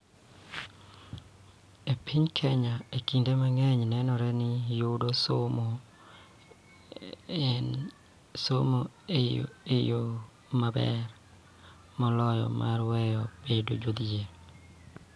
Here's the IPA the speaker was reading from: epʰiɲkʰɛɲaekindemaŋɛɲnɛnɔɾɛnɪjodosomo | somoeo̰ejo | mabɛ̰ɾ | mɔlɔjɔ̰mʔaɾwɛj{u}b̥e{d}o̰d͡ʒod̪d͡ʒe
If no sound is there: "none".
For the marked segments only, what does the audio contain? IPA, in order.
ɔ, d

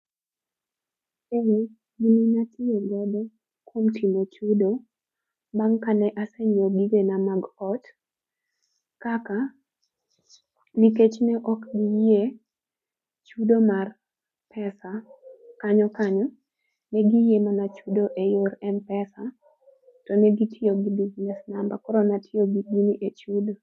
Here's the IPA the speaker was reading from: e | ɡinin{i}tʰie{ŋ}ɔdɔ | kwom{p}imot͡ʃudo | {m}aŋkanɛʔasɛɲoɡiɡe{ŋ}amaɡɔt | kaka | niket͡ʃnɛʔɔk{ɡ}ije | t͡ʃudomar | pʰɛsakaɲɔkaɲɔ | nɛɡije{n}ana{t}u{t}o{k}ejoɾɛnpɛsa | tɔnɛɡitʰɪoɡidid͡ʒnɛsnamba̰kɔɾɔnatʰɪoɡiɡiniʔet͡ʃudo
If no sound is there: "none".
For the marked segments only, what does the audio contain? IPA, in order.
a, ɡ, t, b, n, ɡ, m, t͡ʃ, d, ʔ

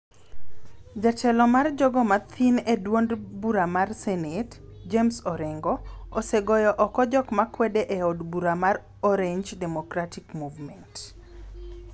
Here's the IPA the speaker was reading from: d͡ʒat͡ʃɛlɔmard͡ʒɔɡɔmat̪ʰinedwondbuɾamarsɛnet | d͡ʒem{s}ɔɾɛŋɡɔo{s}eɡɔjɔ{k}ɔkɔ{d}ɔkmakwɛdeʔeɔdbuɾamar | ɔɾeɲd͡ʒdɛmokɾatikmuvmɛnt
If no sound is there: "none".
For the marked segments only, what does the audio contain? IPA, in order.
s, s, ʔ, d͡ʒ

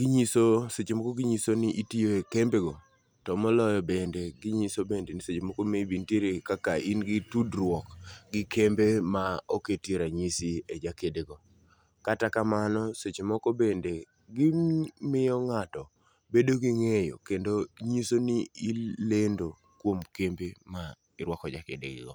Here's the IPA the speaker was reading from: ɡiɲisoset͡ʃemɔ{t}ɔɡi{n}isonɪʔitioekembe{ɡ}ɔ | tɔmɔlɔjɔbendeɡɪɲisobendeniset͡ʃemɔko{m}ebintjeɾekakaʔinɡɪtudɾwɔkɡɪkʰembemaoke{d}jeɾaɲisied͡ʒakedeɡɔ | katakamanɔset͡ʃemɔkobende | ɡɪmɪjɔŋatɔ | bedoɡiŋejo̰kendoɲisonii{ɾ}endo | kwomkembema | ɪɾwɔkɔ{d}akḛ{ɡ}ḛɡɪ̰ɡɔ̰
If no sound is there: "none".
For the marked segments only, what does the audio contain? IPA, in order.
k, ɲ, ɡ, m, t, l, d͡ʒ, d

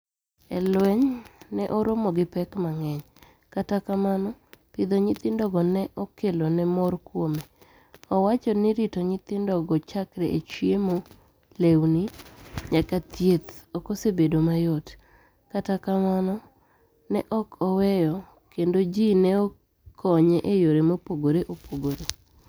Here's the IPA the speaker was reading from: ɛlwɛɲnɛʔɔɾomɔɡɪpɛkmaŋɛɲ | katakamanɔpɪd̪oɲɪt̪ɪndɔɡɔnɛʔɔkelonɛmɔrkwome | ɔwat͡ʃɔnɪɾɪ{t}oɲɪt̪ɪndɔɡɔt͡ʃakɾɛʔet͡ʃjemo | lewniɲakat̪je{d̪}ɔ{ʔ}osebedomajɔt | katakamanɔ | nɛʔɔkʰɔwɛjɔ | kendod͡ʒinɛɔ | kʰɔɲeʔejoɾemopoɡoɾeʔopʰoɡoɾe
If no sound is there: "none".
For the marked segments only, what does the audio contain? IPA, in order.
t, t̪, k

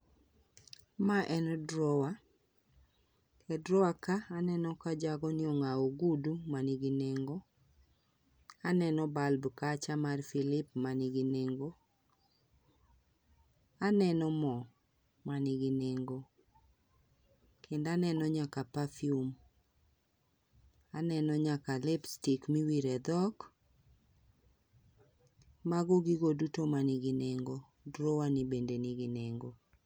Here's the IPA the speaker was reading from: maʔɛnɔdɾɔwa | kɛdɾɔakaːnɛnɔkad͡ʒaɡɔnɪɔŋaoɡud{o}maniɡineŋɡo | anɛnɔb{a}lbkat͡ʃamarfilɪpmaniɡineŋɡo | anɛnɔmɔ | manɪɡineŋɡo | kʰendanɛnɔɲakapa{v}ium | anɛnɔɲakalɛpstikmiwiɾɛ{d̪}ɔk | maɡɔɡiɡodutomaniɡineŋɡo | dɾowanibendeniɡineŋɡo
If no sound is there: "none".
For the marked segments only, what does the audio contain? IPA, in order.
u, a, f, d̪

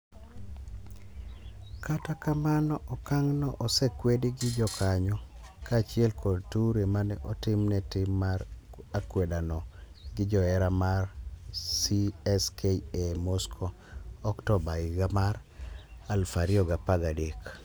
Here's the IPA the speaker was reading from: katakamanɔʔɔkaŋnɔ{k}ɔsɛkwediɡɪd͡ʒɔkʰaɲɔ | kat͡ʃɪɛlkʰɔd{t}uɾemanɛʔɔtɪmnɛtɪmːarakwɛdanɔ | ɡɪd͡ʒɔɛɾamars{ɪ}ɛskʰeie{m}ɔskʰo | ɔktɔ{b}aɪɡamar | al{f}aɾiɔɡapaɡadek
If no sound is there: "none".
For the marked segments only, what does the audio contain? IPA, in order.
ʔ, t, i, m, b, f

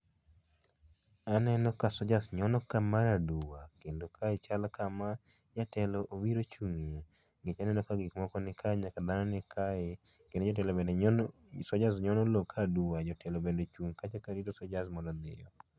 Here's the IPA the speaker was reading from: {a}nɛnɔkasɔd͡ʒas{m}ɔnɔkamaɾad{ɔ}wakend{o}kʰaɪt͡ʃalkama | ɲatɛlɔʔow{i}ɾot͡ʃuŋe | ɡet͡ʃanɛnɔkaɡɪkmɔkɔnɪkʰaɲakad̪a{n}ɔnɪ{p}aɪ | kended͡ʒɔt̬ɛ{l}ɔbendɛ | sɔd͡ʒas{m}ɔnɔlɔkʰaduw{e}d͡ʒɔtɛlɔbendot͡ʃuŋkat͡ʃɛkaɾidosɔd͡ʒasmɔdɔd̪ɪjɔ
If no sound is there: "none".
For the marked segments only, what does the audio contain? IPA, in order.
a, ɲ, u, o, i, n, k, l, ɲ, a

